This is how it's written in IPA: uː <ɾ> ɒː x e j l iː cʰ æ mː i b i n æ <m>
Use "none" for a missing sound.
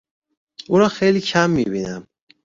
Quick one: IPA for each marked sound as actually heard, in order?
ɾ, m

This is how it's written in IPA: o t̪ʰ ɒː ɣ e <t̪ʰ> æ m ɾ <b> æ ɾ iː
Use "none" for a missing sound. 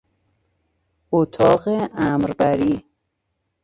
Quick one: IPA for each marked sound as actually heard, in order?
none, b

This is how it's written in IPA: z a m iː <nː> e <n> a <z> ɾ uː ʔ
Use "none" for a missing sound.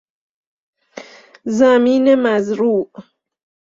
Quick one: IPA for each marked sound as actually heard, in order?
n, m, z

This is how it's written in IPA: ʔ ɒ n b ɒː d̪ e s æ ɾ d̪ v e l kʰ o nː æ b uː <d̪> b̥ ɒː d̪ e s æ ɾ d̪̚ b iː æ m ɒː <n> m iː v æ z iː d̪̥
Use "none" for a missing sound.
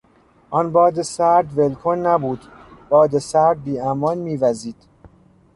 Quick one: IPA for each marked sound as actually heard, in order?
d̪, n

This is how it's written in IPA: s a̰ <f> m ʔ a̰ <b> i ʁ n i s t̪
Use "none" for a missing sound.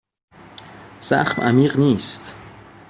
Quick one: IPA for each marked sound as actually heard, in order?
χ, m

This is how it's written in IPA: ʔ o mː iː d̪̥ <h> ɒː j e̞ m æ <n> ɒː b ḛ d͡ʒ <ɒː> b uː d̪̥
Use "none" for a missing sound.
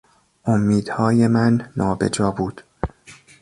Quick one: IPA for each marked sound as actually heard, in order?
h, nː, ɒː

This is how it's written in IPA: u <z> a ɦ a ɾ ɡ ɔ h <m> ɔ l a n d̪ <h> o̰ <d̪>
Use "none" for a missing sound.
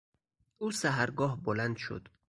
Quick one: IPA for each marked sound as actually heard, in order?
s, b, ʃ, d̪

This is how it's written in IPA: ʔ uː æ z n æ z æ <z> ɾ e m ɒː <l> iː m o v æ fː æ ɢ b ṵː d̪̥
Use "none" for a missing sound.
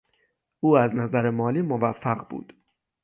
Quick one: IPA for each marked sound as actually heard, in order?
none, l

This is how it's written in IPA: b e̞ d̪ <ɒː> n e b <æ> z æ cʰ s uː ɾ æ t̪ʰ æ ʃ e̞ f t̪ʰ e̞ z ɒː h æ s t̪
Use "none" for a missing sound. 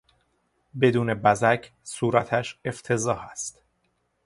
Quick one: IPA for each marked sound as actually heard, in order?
uː, æ

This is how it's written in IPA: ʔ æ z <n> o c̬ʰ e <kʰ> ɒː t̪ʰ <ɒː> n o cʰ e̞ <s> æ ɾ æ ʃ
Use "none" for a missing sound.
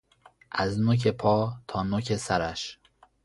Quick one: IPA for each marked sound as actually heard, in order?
n, pʰ, ɒː, s

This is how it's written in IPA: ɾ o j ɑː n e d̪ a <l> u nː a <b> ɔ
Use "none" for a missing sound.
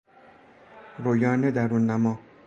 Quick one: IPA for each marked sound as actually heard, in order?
ɾ, m

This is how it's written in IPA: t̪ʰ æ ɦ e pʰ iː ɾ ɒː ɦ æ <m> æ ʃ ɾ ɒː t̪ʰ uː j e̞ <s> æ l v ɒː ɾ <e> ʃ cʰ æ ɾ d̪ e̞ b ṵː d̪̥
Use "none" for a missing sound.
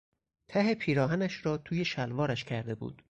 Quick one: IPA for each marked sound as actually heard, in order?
n, ʃ, æ

